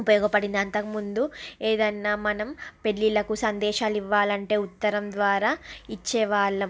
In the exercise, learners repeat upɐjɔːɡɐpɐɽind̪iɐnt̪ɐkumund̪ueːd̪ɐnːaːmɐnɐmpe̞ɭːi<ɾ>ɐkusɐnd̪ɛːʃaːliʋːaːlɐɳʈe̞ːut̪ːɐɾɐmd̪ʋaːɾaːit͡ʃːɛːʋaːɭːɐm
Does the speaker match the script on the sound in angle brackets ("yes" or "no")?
no